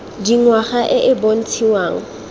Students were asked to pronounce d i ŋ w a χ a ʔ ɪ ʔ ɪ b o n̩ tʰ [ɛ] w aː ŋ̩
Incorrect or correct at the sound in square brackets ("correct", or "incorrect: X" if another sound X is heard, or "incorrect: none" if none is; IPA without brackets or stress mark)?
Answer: incorrect: i